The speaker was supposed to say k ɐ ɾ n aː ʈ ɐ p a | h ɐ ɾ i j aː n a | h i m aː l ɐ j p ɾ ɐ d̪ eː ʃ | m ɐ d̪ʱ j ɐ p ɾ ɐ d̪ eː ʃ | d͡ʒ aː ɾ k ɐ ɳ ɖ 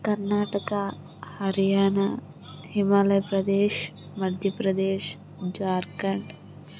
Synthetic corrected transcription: k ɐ ɾ n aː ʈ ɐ k a | h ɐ ɾ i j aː n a | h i m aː l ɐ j p ɾ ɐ d̪ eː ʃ | m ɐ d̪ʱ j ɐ p ɾ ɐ d̪ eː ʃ | d͡ʒ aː ɾ k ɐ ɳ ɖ